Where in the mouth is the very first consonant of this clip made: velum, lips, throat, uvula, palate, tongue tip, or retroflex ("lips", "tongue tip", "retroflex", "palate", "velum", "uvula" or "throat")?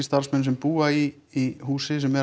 tongue tip